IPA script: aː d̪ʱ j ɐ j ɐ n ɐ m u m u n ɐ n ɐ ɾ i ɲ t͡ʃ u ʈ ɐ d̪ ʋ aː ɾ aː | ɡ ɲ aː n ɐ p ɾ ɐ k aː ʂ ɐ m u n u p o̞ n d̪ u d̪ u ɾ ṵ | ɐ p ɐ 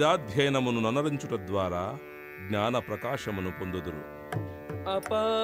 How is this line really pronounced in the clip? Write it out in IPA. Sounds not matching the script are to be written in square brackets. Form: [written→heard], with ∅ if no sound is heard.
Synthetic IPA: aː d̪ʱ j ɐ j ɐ n ɐ m u [m→n] u n ɐ n ɐ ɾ i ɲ t͡ʃ u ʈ ɐ d̪ ʋ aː ɾ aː | ɡ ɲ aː n ɐ p ɾ ɐ k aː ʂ ɐ m u n u p o̞ n d̪ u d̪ u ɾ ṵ | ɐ p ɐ